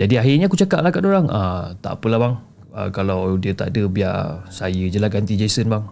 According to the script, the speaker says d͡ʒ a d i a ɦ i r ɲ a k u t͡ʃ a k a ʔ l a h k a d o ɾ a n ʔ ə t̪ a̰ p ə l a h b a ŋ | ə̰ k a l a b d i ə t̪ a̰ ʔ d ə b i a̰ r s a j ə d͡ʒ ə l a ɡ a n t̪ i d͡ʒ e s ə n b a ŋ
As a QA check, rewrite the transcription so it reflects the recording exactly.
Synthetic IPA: d͡ʒ a d i a ɦ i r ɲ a k u t͡ʃ a k a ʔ l a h k a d o ɾ a ŋ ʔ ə t̪ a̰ p ə l a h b a ŋ | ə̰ k a l a w d i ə t̪ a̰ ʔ d ə b i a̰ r s a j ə d͡ʒ ə l a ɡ a n t̪ i d͡ʒ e s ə n b a ŋ